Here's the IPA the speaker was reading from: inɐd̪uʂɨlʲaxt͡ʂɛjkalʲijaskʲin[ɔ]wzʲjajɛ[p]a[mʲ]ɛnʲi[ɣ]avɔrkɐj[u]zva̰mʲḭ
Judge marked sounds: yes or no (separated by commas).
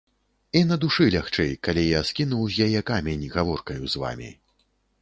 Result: no, no, yes, yes, yes